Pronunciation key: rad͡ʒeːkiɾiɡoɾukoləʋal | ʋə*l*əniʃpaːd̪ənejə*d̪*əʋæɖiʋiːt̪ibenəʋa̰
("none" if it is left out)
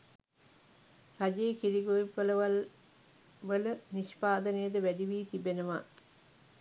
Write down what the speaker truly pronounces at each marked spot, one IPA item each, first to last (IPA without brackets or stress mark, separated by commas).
l, d̪